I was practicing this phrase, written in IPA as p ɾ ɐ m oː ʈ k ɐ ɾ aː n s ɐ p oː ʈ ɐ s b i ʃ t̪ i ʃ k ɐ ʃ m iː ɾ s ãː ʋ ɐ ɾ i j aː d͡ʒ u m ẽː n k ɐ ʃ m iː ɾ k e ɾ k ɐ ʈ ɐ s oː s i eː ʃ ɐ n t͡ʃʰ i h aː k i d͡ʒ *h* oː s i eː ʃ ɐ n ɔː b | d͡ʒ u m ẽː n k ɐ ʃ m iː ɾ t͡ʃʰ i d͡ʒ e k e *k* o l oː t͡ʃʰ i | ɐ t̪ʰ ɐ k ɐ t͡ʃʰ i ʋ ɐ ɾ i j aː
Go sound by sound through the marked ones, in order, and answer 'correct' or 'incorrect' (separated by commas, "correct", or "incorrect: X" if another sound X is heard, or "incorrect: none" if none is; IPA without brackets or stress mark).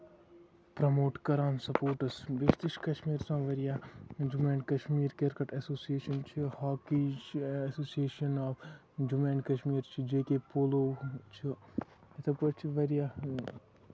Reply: incorrect: s, incorrect: p